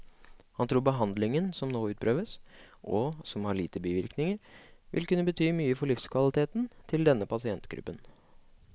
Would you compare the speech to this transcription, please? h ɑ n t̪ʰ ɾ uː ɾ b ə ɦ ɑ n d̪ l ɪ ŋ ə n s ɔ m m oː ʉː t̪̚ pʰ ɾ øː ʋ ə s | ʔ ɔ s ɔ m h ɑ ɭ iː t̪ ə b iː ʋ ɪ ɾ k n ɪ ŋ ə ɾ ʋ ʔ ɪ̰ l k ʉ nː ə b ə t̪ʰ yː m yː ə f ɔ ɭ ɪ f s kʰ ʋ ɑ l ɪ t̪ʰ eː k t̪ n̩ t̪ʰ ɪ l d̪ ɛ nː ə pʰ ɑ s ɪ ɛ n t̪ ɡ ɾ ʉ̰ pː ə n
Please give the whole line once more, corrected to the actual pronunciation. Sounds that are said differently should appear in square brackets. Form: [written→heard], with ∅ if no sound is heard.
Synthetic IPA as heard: h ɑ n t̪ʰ ɾ uː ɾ b ə ɦ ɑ n d̪ l ɪ ŋ ə n s ɔ m [m→n] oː ʉː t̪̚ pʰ ɾ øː ʋ ə s | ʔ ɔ s ɔ m h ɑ ɭ iː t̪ ə b iː ʋ ɪ ɾ k n ɪ ŋ ə ɾ ʋ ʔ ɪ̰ l k ʉ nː ə b ə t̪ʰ yː m yː ə f ɔ ɭ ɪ f s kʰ ʋ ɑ l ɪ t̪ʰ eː [k→∅] t̪ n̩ t̪ʰ ɪ l d̪ ɛ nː ə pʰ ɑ s ɪ ɛ n t̪ ɡ ɾ ʉ̰ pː ə n